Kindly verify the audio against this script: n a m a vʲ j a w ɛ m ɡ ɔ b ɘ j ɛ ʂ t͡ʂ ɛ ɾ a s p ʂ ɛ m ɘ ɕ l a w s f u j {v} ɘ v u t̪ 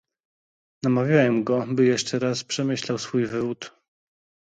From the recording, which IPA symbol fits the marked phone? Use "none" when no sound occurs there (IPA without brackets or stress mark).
v